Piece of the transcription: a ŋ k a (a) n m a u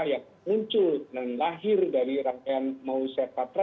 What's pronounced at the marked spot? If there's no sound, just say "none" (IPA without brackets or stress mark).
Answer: a